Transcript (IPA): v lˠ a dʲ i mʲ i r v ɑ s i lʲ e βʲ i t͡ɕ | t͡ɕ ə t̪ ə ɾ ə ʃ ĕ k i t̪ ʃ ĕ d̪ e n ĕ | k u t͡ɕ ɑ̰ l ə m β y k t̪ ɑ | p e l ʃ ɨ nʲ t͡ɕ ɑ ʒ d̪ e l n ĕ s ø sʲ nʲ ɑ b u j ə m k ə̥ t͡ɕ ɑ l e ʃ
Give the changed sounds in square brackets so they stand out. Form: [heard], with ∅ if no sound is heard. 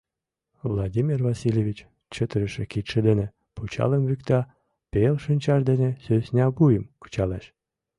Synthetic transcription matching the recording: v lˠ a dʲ i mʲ i r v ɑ s i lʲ e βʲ i t͡ɕ | t͡ɕ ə t̪ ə ɾ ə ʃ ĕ k i t̪ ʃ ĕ d̪ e n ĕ | [p] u t͡ɕ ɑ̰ l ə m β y k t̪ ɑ | p e l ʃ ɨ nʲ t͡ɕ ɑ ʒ d̪ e [∅] n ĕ s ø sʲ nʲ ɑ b u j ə m k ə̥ t͡ɕ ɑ l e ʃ